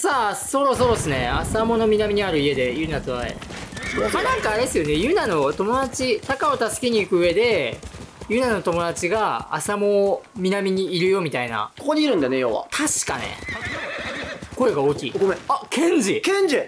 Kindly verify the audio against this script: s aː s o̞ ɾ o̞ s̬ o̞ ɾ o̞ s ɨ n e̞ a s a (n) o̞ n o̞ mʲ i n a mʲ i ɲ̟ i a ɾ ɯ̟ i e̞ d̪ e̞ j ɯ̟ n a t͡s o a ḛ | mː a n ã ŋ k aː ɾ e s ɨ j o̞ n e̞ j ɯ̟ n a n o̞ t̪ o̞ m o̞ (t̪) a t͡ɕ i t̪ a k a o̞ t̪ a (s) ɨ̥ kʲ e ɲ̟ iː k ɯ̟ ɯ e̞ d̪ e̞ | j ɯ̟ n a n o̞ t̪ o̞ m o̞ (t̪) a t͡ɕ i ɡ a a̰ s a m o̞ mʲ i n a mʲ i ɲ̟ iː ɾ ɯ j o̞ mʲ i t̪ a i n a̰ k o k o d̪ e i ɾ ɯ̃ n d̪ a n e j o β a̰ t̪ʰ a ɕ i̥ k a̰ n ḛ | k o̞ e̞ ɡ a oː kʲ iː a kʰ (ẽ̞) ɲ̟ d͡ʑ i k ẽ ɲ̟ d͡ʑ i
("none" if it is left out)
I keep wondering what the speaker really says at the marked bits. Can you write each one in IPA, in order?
m, d̪, s, d̪, ẽ̞

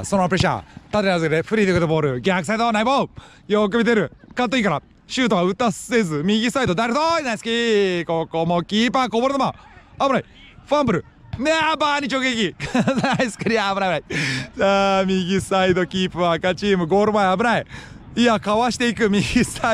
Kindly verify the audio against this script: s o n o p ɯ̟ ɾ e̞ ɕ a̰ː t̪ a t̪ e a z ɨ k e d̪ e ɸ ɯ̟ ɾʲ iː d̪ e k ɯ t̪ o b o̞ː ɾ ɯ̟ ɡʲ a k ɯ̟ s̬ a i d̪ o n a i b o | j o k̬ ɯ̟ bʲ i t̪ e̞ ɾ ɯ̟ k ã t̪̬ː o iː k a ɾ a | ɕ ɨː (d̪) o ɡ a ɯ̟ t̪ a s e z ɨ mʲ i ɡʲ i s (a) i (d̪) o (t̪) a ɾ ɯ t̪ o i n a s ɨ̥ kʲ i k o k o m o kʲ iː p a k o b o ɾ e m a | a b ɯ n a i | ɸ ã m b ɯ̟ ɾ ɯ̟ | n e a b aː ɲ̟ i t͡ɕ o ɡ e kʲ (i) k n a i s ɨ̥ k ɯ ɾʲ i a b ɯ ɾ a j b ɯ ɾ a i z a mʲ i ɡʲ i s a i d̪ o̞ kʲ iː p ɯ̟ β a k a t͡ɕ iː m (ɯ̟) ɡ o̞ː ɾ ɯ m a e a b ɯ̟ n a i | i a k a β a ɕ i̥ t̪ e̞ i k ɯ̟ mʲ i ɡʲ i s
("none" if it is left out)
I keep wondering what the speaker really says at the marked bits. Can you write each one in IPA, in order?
t̪, a, d̪, d̪, i, ɯ̟

